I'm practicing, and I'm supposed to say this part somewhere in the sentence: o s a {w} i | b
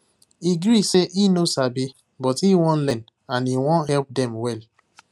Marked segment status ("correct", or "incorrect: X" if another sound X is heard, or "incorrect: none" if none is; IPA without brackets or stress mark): incorrect: b